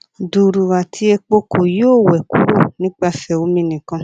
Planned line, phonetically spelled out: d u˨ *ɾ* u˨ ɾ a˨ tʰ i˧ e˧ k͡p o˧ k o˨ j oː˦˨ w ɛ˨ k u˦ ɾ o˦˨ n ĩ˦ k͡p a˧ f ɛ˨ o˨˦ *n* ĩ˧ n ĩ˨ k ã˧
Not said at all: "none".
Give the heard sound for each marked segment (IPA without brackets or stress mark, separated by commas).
ɾ, m